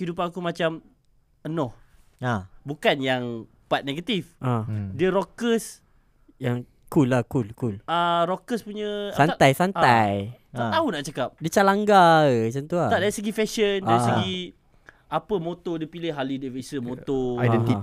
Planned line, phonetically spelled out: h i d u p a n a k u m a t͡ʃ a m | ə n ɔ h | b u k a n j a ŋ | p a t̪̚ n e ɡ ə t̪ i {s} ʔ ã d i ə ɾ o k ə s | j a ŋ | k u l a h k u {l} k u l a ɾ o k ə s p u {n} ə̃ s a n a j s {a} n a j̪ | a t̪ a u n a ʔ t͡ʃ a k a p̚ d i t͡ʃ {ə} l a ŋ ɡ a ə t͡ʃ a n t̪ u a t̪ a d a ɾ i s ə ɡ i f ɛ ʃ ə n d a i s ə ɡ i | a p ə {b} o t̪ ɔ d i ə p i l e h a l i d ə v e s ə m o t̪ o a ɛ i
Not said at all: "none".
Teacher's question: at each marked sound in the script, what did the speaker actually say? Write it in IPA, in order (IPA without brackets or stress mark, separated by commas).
f, l, ɲ, a, a, m